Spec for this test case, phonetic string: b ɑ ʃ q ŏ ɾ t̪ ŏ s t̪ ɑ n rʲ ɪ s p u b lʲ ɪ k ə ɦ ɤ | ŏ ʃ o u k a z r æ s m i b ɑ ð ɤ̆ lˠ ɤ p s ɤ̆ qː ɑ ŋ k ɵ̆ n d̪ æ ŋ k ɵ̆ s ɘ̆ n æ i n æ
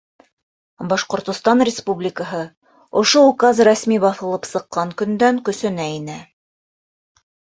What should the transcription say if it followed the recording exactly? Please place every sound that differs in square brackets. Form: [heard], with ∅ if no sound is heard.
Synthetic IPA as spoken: b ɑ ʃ q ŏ ɾ t̪ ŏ s t̪ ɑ n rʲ ɪ s p u b lʲ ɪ k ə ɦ ɤ | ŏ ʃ o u k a z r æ s m i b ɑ [θ] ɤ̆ lˠ ɤ p s ɤ̆ qː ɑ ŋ k ɵ̆ n d̪ æ ŋ k ɵ̆ s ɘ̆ n æ i n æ

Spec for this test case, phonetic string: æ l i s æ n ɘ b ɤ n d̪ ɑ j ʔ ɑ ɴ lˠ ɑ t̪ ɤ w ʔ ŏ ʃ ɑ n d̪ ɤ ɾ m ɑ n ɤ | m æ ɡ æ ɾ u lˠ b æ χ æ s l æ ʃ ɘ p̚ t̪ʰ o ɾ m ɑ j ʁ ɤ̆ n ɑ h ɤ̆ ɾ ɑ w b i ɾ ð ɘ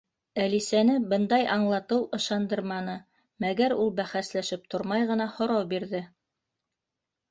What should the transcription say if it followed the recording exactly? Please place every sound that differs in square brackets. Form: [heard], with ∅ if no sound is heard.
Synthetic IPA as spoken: æ l i s æ n ɘ b ɤ n d̪ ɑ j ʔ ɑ ɴ lˠ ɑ t̪ ɤ w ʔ [ɤ̆] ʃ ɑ n d̪ ɤ ɾ m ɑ n ɤ | m æ ɡ æ ɾ u lˠ b æ χ æ s l æ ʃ ɘ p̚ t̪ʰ o ɾ m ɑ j ʁ ɤ̆ n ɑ h [ŏ] ɾ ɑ w b i ɾ ð ɘ

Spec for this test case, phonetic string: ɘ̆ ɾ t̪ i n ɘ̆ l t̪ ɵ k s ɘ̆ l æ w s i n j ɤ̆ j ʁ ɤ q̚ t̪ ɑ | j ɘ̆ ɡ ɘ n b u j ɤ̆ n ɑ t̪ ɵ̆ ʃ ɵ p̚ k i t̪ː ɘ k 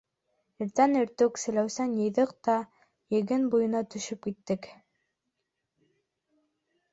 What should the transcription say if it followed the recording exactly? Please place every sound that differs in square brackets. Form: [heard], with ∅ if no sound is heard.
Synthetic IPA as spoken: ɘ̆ ɾ t̪ [æ] n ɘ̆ [ɾ] t̪ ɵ k s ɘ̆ l æ w s [æ] n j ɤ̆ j [ð] ɤ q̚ t̪ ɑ | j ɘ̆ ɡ ɘ n b u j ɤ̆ n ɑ t̪ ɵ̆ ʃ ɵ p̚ k i t̪ː ɘ k

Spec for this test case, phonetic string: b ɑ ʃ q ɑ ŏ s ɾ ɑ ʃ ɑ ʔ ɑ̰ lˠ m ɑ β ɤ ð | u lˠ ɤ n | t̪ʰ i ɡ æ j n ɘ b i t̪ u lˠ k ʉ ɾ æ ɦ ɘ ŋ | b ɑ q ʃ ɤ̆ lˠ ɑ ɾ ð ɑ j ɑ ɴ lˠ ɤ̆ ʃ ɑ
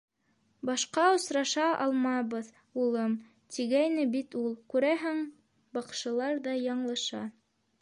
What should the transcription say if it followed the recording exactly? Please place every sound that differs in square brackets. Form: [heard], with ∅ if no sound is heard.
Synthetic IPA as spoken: b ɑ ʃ q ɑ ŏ s ɾ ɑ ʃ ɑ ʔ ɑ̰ lˠ m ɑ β ɤ ð | u lˠ ɤ [m] | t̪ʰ i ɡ æ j n ɘ b i t̪ u lˠ k ʉ ɾ æ ɦ ɘ ŋ | b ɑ q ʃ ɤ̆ lˠ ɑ ɾ ð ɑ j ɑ ɴ lˠ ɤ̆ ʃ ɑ

